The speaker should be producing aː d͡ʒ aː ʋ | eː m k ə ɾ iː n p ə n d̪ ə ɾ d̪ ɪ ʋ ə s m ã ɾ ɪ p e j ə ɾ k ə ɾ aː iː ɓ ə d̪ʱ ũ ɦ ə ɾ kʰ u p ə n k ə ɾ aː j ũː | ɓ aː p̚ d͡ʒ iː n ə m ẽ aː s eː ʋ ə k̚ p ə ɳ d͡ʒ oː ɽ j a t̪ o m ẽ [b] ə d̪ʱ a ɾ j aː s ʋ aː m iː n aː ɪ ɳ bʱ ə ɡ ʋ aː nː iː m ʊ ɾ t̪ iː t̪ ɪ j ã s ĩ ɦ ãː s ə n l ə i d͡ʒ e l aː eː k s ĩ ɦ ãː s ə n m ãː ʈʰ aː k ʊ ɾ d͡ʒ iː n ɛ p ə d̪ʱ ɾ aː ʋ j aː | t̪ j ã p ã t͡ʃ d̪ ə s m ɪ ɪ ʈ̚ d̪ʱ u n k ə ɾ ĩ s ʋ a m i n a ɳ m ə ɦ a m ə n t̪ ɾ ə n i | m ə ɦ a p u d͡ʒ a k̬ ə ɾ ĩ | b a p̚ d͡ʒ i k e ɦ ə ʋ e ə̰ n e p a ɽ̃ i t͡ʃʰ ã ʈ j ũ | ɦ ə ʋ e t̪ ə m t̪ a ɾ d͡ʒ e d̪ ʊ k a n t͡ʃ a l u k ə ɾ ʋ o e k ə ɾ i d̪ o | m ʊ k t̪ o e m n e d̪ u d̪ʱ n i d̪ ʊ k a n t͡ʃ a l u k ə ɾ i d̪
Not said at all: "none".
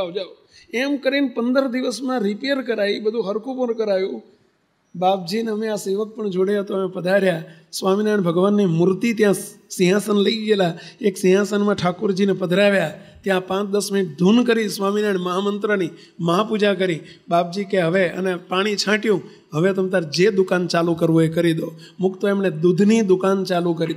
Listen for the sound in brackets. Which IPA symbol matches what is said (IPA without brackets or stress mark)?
p